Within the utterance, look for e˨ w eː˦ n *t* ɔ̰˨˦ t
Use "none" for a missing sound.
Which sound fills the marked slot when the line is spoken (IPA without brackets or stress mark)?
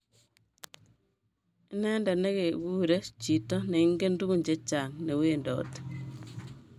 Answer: d